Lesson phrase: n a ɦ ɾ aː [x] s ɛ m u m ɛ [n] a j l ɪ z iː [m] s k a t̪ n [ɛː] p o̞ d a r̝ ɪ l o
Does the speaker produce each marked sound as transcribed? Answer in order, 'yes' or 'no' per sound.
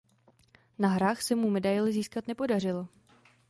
yes, no, no, no

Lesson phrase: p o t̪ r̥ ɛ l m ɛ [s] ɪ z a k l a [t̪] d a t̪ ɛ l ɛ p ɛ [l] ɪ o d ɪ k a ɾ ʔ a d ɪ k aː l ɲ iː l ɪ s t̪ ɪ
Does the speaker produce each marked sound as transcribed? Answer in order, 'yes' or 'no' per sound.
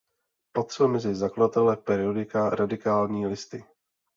no, no, no

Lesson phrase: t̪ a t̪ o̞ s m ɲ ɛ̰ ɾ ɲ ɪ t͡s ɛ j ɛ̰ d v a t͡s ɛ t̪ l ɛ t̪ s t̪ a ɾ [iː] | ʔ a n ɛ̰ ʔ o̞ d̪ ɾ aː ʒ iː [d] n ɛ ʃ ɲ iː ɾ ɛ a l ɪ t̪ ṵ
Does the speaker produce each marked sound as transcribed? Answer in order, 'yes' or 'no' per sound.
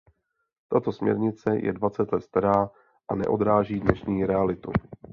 no, yes

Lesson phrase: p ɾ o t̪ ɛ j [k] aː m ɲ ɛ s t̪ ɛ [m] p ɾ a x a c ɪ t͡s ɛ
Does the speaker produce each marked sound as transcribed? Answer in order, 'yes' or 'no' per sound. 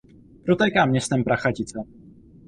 yes, yes

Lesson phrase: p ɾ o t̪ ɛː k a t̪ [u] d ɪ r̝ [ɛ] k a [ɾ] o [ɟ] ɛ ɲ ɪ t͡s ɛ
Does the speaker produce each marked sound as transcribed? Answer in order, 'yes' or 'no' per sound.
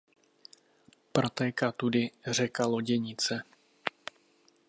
yes, yes, no, yes

